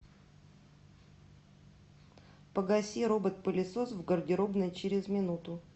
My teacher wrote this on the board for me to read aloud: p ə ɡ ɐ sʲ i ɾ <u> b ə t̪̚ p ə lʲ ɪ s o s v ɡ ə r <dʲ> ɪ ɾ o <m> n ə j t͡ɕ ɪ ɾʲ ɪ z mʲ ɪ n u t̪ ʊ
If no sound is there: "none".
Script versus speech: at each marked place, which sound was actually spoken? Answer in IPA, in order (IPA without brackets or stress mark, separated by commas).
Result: o, dʲ, b